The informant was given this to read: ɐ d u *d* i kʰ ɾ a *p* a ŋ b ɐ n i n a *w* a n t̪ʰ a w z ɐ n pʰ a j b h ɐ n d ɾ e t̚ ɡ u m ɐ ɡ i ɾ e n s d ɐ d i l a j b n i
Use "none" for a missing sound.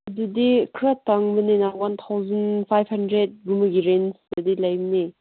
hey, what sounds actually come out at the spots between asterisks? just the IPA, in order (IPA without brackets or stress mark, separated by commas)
d, t, w